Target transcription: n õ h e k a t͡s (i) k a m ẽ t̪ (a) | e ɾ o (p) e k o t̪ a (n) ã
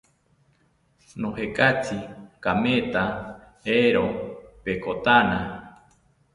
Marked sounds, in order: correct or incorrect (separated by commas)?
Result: correct, correct, correct, correct